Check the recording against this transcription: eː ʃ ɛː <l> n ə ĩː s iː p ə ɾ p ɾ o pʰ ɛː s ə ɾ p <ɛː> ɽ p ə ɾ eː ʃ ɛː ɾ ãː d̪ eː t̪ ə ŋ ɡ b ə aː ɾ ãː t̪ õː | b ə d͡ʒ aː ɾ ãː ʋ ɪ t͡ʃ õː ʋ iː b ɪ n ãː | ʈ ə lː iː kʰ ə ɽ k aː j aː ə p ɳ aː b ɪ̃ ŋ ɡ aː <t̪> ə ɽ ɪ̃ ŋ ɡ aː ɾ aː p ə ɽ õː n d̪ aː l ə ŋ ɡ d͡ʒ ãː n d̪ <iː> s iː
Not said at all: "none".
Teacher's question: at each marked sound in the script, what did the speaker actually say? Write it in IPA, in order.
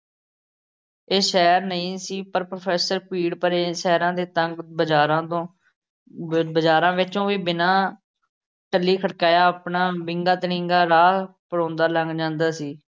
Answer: ɾ, iː, t̪, aː

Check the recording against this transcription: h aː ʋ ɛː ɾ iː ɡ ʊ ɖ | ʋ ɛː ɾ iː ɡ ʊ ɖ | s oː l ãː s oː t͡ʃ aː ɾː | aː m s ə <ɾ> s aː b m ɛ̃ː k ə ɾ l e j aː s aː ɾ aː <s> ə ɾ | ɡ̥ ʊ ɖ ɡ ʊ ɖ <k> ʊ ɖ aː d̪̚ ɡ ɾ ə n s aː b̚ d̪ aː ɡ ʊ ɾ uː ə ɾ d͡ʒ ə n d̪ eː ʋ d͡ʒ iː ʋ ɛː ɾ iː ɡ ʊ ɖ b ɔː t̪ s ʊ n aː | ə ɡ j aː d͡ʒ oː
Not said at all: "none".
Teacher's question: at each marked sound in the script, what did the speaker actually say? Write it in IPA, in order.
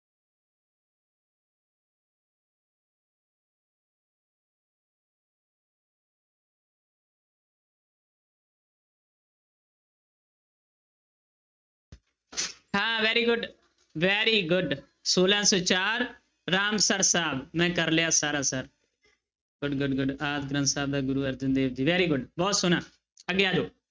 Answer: ɾ, s, ɡ

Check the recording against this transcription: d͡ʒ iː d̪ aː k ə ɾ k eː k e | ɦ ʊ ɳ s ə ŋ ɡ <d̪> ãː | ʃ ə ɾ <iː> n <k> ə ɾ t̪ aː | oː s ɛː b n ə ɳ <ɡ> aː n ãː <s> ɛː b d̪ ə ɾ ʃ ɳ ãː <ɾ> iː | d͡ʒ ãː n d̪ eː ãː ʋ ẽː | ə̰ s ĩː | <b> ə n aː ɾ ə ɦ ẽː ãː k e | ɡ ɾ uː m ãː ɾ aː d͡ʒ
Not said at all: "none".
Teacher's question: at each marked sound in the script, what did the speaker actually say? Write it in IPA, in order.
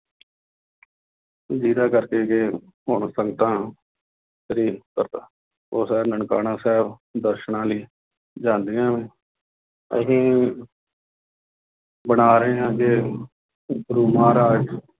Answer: t̪, iː, k, k, s, l, b

